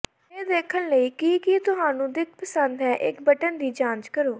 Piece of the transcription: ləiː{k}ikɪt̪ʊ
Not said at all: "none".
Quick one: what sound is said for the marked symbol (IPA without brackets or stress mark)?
k